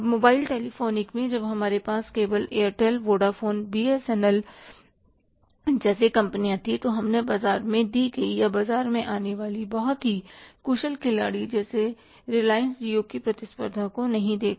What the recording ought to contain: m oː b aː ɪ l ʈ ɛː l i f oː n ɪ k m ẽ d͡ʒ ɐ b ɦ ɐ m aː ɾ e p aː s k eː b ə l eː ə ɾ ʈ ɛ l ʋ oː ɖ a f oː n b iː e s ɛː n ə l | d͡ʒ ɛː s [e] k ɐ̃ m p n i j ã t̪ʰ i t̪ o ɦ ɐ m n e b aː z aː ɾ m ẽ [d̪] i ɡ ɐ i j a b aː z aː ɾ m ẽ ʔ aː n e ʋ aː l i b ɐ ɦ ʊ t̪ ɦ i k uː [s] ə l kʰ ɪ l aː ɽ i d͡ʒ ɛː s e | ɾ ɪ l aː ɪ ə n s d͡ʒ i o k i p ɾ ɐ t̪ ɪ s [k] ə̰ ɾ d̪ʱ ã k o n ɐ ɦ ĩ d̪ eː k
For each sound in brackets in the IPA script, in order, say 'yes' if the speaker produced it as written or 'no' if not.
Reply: yes, yes, no, no

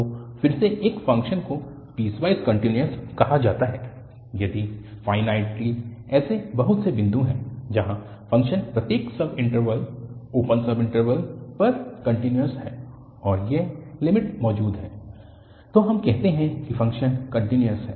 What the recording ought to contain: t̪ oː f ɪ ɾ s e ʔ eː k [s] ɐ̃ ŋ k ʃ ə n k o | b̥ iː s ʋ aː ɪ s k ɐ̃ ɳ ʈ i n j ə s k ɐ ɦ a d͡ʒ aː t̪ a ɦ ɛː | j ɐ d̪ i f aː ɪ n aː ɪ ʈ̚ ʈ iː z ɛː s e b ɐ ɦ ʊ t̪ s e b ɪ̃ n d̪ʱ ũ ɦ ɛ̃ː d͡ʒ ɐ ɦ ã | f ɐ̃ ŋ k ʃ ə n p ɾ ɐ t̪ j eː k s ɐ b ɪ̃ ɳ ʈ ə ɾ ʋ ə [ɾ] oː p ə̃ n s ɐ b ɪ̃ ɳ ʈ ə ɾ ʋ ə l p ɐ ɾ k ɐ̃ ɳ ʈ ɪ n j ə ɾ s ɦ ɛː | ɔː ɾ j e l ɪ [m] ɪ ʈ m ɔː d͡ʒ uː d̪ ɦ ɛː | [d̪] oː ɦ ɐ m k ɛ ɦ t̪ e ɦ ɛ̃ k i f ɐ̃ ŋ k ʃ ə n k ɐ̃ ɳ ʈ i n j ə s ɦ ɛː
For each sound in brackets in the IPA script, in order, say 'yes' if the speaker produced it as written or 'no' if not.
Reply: no, no, yes, no

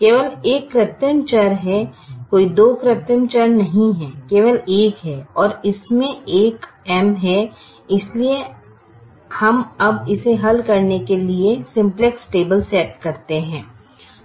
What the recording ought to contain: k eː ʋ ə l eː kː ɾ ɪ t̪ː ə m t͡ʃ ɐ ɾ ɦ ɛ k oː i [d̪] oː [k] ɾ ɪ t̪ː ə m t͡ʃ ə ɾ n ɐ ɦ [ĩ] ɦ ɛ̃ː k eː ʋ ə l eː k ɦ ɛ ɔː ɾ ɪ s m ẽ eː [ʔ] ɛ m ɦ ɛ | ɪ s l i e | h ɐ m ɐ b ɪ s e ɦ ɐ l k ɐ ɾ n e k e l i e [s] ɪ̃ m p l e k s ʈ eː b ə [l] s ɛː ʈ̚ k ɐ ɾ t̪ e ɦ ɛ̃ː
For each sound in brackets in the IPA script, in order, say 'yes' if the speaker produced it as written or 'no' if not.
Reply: yes, yes, yes, no, yes, yes

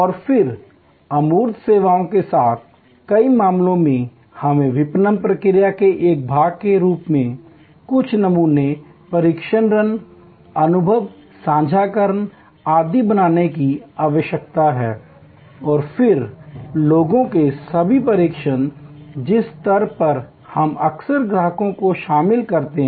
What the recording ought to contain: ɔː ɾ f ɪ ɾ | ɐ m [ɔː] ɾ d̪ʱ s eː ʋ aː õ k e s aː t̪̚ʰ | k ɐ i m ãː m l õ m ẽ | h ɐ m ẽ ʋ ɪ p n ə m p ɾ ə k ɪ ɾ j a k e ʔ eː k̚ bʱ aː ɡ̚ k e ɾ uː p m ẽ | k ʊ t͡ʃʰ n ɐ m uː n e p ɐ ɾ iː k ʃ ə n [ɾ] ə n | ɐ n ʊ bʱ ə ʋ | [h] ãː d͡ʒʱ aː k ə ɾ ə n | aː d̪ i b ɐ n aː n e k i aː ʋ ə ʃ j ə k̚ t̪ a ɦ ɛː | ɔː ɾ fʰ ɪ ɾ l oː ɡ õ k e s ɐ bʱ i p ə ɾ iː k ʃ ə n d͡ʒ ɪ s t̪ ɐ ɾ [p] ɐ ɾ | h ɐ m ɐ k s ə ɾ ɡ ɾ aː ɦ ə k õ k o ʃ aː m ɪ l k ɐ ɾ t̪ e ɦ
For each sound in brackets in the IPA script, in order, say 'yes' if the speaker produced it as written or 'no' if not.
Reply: no, yes, no, yes

